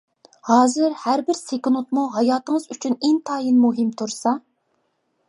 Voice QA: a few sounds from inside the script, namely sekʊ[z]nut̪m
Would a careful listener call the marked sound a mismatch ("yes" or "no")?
yes